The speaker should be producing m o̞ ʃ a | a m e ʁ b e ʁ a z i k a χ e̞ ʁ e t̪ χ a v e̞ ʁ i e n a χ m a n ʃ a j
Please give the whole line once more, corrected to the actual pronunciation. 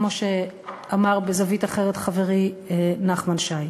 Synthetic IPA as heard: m o̞ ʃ e | a m a ʁ b e z a v i t a χ e̞ ʁ e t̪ χ a v e̞ ʁ i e n a χ m a n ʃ a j